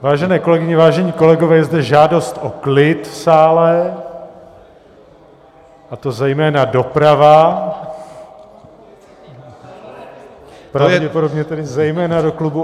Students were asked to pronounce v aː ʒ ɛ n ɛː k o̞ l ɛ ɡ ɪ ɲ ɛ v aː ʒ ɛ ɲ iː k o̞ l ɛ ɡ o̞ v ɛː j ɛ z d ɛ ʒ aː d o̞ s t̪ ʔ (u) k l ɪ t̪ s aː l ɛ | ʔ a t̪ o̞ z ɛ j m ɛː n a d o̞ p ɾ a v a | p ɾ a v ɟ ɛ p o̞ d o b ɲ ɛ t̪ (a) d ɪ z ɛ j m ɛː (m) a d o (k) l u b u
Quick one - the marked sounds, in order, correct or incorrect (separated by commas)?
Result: incorrect, incorrect, incorrect, correct